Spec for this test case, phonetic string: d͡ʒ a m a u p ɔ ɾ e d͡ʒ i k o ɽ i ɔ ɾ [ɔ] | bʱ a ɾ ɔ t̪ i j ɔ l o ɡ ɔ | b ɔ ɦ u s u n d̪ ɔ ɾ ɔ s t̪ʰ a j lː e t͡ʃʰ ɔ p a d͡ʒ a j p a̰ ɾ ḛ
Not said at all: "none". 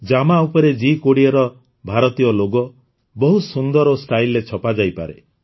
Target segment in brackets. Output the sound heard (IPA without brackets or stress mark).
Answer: ɔ